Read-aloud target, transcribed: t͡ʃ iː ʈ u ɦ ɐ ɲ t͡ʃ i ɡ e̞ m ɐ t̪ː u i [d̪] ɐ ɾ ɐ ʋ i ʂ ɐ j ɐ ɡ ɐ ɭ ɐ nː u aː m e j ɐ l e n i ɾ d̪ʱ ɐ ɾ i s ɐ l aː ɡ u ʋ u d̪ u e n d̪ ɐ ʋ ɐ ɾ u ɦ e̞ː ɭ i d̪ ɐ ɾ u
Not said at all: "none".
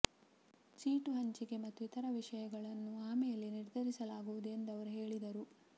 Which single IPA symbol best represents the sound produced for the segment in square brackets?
t̪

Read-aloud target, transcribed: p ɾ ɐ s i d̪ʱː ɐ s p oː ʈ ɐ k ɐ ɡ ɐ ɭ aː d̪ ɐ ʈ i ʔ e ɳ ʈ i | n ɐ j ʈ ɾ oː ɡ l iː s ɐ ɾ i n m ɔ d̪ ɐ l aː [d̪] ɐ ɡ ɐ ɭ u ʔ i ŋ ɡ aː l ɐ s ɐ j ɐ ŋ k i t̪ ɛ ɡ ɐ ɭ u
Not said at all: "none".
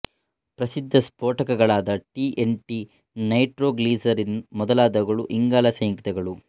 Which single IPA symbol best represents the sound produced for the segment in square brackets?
d̪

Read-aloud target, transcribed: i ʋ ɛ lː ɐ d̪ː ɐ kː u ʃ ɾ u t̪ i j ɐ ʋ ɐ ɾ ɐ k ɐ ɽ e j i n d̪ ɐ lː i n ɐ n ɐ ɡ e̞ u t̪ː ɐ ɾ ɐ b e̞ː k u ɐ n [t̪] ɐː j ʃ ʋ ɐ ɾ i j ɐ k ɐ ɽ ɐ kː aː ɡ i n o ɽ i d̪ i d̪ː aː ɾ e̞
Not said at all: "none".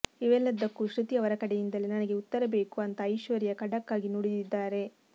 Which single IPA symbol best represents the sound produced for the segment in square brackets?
t̪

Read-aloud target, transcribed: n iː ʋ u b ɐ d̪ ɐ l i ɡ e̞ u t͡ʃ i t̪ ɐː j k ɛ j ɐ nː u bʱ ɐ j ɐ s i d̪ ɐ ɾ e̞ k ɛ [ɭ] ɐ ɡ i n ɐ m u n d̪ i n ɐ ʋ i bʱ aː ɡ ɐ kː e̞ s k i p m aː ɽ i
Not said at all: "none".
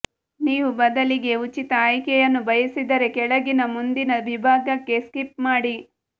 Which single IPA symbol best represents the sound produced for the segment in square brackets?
ɭ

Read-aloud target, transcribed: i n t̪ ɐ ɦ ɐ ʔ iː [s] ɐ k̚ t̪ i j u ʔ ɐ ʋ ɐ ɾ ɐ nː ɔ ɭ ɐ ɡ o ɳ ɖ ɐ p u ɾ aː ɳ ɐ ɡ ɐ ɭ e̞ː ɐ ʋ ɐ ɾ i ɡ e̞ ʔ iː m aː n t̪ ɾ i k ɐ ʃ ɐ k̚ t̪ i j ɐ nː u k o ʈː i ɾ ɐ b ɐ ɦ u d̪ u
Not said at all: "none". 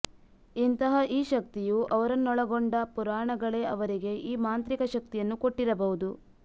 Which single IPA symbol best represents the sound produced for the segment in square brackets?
ʃ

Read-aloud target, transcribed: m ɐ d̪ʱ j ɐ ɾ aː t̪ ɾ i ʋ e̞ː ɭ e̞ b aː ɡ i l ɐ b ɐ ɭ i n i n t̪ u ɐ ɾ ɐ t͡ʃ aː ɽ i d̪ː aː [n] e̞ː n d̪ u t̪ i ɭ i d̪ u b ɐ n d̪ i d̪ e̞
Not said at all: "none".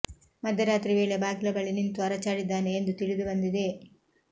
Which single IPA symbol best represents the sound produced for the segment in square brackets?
n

